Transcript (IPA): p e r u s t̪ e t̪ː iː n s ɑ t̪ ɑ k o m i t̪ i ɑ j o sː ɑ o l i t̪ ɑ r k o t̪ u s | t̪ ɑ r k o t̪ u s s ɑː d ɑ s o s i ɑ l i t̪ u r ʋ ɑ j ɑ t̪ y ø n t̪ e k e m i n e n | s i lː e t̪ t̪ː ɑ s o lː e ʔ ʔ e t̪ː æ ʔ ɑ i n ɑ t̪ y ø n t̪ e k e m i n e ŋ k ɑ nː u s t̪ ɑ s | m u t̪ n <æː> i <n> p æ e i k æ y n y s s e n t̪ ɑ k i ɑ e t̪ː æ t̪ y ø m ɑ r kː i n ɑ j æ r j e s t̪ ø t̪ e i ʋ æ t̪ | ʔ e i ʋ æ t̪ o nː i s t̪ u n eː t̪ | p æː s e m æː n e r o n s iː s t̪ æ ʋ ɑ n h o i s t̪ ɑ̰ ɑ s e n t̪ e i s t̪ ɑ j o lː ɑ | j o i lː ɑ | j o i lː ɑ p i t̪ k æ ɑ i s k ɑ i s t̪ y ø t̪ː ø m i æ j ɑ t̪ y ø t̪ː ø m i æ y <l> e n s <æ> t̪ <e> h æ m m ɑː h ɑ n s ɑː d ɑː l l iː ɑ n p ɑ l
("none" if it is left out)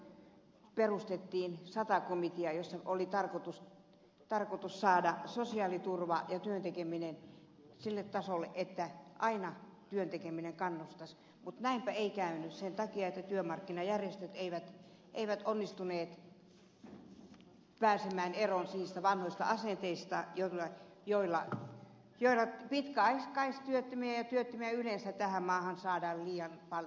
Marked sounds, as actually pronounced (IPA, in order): æ, m, l, æ, æ

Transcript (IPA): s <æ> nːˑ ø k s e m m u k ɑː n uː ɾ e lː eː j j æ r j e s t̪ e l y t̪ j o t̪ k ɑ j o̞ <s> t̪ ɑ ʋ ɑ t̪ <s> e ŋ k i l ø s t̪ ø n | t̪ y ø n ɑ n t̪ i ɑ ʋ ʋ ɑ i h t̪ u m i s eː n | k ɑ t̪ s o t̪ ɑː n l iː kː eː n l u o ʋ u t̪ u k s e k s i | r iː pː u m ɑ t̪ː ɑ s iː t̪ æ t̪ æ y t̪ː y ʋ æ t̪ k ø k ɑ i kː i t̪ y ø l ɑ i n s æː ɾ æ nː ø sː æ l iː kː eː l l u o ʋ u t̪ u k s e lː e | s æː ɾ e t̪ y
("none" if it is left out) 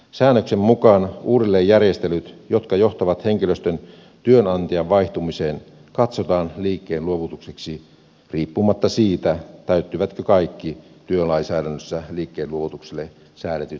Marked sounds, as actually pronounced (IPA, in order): æː, h, h

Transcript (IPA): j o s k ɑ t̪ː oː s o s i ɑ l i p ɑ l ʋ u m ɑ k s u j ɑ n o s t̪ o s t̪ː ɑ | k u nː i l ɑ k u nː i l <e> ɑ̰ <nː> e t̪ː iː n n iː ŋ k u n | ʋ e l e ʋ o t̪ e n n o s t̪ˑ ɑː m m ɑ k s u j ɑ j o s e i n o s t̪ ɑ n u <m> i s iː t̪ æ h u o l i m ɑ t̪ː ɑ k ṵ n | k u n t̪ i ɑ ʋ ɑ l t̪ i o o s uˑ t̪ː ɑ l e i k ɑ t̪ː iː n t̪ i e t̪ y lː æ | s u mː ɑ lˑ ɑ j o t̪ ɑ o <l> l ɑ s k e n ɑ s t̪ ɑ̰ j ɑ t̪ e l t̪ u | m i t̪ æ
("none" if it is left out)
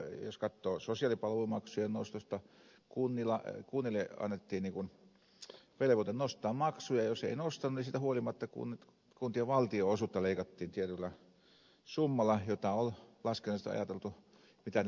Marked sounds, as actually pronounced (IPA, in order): e, nː, n, l

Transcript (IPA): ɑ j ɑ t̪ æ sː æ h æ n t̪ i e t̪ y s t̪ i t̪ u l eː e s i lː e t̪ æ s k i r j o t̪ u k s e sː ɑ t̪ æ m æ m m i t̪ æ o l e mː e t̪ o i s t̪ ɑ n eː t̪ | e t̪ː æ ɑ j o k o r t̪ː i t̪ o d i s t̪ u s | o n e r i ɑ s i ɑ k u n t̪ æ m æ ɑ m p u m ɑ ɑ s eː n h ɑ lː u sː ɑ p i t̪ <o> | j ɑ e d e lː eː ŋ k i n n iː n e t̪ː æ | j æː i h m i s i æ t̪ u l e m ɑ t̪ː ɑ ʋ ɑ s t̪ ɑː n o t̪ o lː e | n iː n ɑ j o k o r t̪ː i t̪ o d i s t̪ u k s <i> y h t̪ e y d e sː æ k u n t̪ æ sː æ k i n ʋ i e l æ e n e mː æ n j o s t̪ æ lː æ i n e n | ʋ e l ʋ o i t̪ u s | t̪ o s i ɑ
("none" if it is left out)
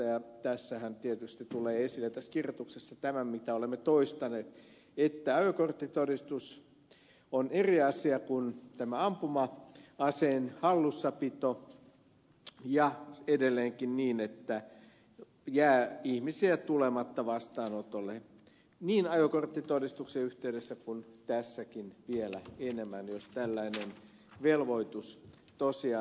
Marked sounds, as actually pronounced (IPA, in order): o, e

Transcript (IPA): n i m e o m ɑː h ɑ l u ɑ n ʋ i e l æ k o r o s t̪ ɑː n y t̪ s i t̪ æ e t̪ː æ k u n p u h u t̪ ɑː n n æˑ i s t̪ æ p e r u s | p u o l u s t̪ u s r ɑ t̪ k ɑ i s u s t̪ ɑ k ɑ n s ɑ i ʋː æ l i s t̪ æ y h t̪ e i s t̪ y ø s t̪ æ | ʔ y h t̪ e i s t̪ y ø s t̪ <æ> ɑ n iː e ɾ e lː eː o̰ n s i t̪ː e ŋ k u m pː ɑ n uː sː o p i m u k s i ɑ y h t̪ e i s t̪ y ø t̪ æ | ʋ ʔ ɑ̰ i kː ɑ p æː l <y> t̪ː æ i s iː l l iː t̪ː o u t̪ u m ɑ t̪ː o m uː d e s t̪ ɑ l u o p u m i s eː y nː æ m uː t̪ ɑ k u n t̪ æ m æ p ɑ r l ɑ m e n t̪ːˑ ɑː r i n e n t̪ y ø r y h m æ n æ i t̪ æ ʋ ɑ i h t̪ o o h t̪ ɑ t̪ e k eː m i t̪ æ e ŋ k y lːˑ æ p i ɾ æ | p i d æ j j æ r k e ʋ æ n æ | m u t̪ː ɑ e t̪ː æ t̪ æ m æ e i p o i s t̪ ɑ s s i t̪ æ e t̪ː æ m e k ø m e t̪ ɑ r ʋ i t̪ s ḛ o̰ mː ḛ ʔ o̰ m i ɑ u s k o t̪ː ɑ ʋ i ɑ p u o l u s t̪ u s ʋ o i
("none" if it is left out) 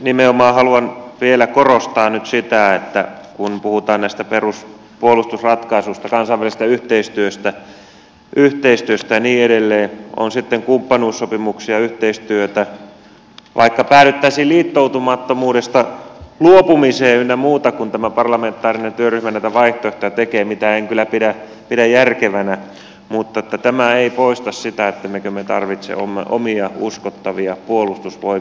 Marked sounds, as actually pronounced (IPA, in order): æ, y

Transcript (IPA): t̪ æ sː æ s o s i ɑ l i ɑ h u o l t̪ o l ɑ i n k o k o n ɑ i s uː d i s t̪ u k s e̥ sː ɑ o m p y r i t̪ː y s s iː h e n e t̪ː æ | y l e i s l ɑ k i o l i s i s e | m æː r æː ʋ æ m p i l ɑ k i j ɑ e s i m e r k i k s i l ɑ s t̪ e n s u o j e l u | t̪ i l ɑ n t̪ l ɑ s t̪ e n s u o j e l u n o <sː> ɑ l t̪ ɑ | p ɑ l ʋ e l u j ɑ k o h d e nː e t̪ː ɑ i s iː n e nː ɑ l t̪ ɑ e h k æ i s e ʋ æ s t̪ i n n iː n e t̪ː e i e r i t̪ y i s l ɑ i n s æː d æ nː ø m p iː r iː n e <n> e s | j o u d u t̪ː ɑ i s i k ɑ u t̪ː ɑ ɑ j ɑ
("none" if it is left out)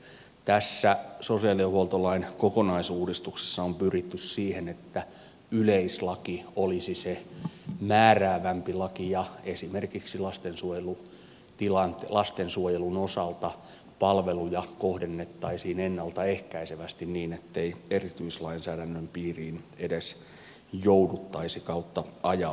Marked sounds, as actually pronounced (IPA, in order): s, d

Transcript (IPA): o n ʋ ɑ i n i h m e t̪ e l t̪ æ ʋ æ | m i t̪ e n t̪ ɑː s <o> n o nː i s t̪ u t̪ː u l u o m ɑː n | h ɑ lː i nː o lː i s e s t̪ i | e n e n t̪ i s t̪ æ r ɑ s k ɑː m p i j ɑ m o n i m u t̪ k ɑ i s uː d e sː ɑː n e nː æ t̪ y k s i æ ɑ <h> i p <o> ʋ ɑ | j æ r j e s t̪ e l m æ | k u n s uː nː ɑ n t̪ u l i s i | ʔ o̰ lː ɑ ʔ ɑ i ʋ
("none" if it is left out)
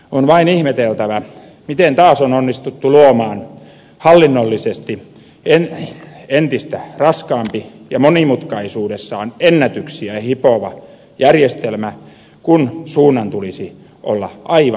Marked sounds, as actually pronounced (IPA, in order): o, h, o

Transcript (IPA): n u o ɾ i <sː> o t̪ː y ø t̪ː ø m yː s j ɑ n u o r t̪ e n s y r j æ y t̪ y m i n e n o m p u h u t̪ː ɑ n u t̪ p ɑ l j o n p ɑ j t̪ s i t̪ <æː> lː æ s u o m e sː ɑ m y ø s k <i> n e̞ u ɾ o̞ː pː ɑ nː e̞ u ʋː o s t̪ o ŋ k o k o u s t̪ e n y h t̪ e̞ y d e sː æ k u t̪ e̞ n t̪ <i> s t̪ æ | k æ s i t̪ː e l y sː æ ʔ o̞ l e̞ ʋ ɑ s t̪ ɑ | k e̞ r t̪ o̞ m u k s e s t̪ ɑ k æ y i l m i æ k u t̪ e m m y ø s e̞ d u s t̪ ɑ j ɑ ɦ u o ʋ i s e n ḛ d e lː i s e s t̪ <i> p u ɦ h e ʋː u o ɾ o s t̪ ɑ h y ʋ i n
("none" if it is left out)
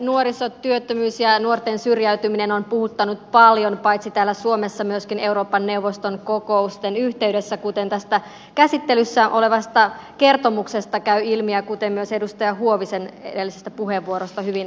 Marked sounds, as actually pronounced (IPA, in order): s, æː, i, æ, æ

